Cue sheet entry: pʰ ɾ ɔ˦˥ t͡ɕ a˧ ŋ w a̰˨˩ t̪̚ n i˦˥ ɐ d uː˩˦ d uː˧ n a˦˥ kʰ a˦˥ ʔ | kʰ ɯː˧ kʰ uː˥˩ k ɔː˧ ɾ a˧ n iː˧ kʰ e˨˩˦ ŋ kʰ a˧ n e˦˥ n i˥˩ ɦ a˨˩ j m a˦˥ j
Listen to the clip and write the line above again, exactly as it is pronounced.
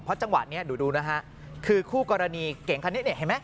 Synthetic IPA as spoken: pʰ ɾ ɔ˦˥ t͡ɕ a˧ ŋ w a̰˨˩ t̪̚ n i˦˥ ɐ d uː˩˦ d uː˧ n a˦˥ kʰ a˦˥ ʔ | kʰ ɯː˧ kʰ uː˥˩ k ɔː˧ ɾ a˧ n iː˧ k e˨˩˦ ŋ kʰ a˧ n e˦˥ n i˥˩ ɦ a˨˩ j m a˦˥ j